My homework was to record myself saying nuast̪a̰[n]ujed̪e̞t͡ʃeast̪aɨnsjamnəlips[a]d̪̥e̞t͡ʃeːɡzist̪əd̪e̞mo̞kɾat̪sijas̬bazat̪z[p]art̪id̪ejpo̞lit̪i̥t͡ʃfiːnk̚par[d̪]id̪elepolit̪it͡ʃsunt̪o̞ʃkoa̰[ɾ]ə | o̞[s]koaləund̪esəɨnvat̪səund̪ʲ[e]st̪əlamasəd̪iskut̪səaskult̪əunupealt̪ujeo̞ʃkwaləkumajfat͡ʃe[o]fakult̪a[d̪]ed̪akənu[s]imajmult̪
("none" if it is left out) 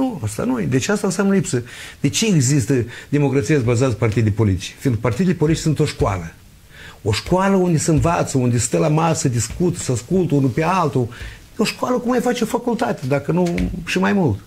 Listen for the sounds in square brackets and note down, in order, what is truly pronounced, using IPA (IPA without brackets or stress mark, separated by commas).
n, ə, p, t̪, l, ʃ, e, o, t̪, ʃ